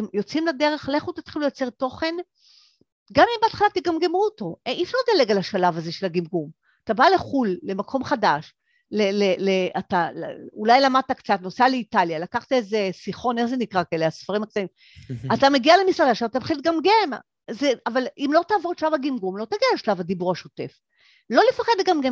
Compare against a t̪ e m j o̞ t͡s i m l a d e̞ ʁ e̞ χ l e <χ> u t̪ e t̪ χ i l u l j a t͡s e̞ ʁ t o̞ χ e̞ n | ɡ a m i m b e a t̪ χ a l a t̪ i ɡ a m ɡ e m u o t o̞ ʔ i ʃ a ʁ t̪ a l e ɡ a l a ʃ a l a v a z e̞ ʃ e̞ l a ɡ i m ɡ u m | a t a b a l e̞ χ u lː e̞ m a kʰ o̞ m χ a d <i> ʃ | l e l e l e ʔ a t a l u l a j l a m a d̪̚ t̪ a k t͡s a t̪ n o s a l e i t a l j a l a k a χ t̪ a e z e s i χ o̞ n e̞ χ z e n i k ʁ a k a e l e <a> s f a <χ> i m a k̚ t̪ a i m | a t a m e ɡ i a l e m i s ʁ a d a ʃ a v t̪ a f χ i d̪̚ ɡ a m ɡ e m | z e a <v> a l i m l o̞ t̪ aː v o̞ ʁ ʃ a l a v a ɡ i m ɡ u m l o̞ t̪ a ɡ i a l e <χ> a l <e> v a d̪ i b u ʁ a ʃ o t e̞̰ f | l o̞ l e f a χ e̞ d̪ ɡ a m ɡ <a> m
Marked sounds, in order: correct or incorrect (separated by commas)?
correct, incorrect, correct, incorrect, correct, incorrect, incorrect, incorrect